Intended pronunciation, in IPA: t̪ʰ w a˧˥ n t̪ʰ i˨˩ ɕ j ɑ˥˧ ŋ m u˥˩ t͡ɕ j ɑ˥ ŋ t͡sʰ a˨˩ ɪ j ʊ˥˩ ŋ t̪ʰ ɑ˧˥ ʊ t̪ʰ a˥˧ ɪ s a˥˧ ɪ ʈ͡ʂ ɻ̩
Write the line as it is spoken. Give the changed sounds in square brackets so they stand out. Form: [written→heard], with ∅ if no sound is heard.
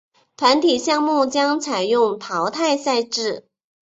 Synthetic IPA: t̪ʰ w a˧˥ n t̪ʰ i˨˩ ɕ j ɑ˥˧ ŋ m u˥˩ t͡ɕ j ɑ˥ ŋ t͡sʰ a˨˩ ɪ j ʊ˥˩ ŋ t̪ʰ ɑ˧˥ ʊ t̪ʰ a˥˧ ɪ s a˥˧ ɪ ʈ͡ʂ ɻ̩